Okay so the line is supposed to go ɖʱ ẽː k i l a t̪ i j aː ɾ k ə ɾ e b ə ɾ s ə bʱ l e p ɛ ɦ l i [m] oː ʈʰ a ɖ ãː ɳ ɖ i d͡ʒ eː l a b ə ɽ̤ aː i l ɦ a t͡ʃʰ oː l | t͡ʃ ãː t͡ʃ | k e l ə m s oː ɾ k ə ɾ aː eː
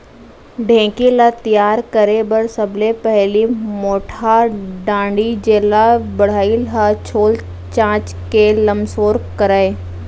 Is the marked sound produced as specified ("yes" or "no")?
yes